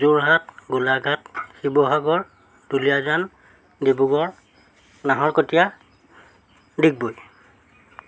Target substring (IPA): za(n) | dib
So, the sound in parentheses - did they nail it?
yes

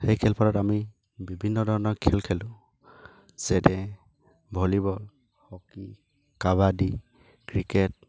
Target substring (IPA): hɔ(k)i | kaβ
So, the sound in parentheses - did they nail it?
yes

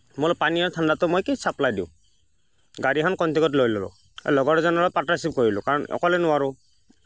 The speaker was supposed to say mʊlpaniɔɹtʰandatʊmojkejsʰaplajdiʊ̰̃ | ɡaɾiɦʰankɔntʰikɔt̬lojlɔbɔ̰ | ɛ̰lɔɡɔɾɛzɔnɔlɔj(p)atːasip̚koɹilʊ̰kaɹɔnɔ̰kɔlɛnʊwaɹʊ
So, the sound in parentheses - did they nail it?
yes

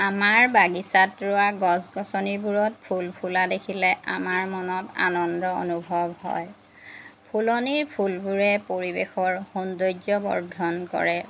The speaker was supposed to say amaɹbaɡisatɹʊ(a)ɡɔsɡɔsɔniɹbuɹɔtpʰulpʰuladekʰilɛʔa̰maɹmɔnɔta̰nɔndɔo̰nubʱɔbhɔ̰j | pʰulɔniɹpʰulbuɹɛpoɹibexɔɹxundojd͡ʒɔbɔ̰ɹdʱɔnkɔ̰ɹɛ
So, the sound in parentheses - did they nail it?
yes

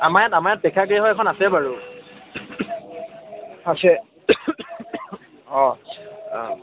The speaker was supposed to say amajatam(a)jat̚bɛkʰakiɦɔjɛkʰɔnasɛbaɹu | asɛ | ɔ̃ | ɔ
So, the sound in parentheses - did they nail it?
yes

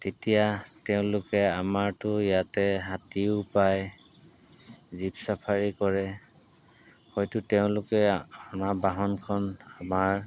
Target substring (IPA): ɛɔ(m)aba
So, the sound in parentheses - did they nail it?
no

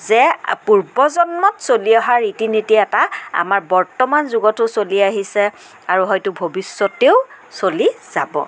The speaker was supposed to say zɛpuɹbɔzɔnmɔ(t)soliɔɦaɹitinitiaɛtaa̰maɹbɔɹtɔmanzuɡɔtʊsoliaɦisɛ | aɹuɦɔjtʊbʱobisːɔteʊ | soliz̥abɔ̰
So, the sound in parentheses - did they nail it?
yes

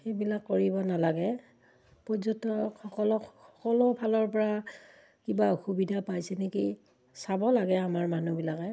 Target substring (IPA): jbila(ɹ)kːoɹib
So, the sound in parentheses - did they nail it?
no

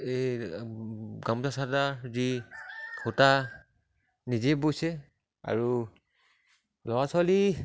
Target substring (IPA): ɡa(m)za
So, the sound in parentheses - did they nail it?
yes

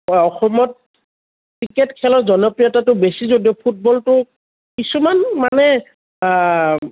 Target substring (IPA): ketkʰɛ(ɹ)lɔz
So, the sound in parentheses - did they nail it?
no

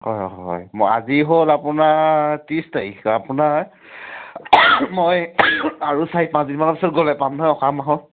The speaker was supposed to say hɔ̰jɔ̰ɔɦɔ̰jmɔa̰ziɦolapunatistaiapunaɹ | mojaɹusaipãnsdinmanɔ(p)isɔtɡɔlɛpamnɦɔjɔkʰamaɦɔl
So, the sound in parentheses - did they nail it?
yes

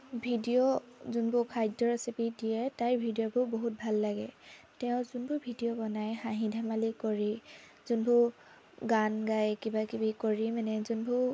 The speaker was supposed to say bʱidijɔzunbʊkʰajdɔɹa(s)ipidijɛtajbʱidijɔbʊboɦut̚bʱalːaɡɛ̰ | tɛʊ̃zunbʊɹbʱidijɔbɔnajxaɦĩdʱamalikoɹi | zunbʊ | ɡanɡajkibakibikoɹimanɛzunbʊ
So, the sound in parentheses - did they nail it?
yes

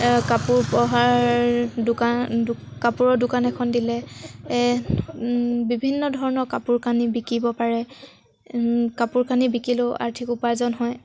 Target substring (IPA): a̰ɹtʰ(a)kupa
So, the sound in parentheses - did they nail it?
no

